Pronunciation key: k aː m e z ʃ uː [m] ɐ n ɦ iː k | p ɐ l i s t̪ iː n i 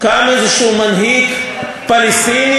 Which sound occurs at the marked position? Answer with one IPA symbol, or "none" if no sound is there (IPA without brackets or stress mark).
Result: m